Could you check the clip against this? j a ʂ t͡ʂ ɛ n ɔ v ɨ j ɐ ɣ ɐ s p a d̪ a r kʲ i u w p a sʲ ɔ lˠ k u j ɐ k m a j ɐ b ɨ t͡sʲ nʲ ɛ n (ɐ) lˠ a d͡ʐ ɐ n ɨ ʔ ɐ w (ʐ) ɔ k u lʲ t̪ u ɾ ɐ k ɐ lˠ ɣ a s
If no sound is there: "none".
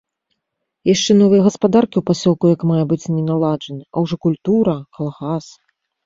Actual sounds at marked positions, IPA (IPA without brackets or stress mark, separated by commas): a, ʐ